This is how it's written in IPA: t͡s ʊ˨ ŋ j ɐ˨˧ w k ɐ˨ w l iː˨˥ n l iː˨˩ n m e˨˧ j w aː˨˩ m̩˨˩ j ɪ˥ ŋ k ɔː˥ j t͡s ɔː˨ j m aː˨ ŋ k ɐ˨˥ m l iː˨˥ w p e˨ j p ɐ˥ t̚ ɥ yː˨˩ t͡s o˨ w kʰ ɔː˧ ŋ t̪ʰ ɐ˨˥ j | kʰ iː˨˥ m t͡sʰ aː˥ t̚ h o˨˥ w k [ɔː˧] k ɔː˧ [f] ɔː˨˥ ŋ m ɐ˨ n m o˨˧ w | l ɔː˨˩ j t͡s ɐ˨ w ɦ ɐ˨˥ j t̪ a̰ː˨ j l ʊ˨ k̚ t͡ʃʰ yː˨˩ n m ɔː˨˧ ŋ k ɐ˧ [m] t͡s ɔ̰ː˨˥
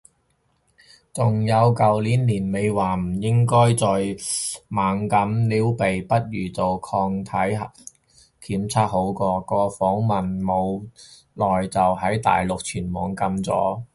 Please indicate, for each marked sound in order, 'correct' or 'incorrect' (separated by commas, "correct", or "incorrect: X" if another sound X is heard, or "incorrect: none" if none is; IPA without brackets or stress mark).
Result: correct, correct, correct